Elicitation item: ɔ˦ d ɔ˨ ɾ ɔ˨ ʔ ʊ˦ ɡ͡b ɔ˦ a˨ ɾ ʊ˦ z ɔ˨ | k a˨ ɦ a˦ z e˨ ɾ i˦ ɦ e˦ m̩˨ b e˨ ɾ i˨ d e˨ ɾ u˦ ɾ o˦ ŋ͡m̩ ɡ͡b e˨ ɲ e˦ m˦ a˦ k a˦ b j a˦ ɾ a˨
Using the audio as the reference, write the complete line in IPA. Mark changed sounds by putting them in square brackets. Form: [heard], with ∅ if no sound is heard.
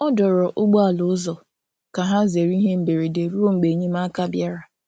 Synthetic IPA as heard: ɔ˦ d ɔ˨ ɾ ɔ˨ ʔ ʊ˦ ɡ͡b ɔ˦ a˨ [l] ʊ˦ z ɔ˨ | k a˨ ɦ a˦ z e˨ ɾ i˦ ɦ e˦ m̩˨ b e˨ ɾ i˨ d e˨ ɾ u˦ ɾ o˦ ŋ͡m̩ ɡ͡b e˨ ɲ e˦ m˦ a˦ k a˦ b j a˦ ɾ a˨